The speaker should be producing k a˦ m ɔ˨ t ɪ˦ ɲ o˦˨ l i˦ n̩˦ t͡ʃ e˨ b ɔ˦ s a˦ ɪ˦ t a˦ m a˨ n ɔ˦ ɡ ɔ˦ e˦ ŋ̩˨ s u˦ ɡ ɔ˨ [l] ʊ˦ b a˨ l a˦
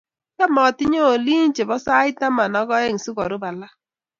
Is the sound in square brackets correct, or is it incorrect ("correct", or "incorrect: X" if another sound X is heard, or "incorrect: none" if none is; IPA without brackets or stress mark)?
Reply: incorrect: ɾ